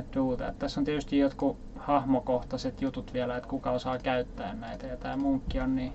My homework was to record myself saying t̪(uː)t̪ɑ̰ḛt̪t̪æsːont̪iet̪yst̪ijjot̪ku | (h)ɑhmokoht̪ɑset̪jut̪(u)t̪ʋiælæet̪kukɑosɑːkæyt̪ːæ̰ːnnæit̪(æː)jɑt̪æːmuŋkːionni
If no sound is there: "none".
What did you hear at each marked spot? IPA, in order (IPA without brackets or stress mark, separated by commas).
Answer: uː, h, u, æ